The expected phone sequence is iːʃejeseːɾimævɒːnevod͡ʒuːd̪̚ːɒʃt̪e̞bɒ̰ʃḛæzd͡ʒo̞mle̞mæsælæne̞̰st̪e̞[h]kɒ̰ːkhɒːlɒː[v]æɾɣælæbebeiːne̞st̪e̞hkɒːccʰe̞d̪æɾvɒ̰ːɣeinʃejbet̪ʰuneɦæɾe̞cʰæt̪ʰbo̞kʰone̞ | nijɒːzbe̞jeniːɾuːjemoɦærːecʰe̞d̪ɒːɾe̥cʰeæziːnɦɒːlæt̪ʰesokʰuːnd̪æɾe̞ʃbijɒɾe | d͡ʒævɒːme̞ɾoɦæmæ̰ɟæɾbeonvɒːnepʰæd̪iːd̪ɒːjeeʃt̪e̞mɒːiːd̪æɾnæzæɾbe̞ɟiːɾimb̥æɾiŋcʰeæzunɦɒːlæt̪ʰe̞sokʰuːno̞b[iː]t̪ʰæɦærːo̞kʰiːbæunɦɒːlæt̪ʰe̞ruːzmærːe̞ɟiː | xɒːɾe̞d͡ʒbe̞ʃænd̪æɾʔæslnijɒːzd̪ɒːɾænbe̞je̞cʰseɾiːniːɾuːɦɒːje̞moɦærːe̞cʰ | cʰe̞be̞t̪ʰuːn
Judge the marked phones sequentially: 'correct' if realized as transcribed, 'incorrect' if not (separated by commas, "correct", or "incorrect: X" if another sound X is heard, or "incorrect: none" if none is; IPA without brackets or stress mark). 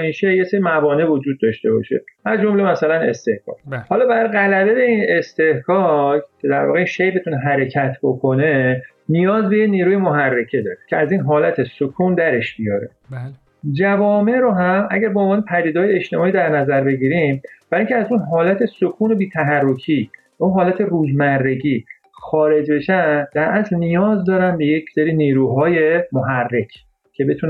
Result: correct, incorrect: b, correct